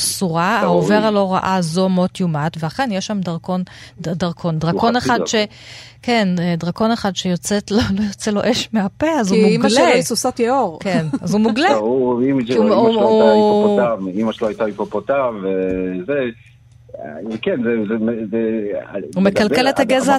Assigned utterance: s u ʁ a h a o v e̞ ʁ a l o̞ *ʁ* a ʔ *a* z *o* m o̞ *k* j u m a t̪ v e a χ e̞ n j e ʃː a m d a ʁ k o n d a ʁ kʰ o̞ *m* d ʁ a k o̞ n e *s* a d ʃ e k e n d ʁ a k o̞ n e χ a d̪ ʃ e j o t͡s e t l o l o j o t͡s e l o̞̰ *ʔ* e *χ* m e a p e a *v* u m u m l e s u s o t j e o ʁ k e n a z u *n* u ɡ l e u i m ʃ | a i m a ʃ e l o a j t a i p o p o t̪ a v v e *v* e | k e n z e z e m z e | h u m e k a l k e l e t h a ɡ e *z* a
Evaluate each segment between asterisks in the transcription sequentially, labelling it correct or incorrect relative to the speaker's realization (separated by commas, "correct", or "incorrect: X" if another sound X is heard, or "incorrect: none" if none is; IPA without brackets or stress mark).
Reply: correct, correct, correct, incorrect: t, incorrect: n, incorrect: χ, correct, incorrect: ʃ, incorrect: z, incorrect: m, incorrect: z, correct